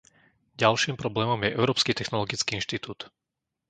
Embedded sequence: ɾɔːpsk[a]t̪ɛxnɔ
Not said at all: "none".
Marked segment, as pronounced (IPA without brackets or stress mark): i